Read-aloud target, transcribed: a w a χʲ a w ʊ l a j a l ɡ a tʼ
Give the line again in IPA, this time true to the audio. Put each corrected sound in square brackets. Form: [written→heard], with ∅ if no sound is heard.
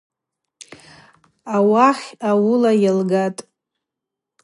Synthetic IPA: a w a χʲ a w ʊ l a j a l ɡ a tʼ